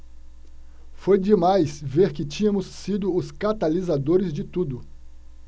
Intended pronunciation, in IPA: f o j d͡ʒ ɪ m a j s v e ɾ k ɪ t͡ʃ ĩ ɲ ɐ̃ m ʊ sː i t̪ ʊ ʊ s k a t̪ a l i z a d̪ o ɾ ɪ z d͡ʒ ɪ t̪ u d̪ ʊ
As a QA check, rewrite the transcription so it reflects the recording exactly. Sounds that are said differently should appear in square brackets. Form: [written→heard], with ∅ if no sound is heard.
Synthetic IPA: f o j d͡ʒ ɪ m a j s v e ɾ k ɪ t͡ʃ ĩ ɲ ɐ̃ m ʊ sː i [t̪→d̪] ʊ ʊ s k a t̪ a l i z a d̪ o ɾ ɪ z d͡ʒ ɪ t̪ u d̪ ʊ